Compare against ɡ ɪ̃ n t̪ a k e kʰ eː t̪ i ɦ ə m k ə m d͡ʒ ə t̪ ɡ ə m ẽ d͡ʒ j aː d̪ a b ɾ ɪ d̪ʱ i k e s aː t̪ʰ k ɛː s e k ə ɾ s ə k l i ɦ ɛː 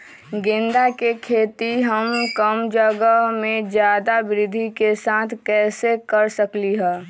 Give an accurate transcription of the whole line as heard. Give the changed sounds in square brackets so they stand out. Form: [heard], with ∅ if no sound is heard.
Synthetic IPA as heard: ɡ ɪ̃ n [d̪] a k e kʰ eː t̪ i ɦ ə m k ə m d͡ʒ ə [∅] ɡ ə m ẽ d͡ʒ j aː d̪ a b ɾ ɪ d̪ʱ i k e s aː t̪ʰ k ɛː s e k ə ɾ s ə k l i ɦ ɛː